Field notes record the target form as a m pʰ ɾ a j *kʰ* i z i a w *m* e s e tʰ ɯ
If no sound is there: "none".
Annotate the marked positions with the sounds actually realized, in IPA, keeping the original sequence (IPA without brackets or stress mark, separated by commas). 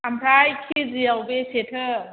kʰ, b